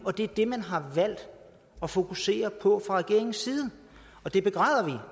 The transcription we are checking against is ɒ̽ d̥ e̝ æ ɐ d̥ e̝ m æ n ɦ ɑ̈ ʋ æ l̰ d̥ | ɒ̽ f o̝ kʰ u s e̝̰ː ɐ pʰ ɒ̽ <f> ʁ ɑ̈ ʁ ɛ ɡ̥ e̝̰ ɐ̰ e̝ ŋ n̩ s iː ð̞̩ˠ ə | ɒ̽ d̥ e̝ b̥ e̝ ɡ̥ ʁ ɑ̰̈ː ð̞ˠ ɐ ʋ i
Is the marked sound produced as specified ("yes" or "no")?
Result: yes